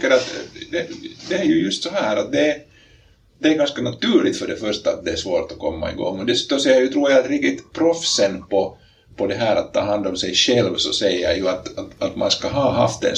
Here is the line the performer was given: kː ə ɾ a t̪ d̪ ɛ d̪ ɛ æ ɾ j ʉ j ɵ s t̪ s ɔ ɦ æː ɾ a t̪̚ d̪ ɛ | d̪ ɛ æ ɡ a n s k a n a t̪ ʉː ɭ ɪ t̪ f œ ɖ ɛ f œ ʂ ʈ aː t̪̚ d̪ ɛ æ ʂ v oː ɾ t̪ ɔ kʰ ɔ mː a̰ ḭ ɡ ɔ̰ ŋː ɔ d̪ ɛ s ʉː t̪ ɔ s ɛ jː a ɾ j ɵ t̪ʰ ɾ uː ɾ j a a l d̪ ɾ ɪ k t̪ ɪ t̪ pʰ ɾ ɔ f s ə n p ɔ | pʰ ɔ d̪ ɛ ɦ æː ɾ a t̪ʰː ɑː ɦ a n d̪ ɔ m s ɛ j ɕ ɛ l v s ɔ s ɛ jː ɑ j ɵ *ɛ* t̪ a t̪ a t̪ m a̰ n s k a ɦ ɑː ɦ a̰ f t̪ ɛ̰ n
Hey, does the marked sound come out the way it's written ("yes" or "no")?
no